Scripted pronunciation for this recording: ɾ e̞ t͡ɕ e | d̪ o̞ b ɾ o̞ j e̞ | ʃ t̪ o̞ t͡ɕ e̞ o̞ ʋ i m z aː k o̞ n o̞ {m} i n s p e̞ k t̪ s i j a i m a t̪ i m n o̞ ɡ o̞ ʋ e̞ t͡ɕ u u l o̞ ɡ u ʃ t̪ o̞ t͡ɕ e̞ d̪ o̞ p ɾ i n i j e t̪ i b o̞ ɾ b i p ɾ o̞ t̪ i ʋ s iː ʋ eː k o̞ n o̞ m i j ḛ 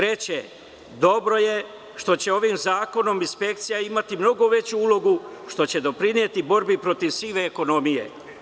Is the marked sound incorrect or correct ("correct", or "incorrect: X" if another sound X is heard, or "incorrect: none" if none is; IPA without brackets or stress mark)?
correct